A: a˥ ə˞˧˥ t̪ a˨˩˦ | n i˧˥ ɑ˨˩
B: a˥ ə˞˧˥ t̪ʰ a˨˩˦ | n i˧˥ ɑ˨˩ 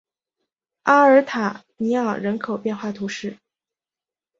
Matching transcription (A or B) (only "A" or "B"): B